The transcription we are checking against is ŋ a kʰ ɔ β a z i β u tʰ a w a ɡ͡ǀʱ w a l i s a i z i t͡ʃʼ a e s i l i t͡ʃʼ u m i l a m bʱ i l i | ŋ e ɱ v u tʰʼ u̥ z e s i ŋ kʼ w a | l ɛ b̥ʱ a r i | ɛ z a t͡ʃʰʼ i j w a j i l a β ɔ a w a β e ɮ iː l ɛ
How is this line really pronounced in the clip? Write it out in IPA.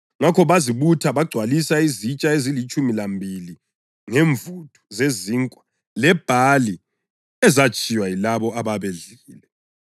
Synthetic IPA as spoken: ŋ a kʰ ɔ β a z i β u tʰ a β a ɡ͡ǀʱ w a l i s a i z i t͡ʃʼ a e z i l i t͡ʃʼ u m i l a m bʱ i l i | ŋ e ɱ v u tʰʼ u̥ z e z i ŋ kʼ w a | l ɛ b̥ʱ a l i | ɛ z a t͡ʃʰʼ i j w a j i l a β ɔ a β a β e ɮ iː l ɛ